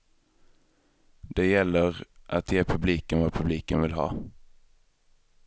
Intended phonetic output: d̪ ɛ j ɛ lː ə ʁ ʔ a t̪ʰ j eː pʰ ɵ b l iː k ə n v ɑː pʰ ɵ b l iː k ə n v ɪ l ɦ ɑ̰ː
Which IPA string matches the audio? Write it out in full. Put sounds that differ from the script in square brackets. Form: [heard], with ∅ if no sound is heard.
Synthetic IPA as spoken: d̪ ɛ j ɛ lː ə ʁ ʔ a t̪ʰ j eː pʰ ɵ b l iː k ə n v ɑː pʰ ɵ b l iː k ə n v ɪ l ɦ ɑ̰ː